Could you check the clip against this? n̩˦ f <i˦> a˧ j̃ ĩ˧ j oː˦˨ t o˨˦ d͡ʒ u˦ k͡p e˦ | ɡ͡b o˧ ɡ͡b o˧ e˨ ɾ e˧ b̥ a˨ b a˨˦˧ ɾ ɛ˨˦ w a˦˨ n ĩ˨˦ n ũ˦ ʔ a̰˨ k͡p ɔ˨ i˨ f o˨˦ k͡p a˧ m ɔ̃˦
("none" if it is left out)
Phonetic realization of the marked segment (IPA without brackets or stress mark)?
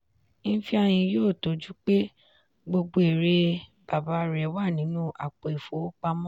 i˦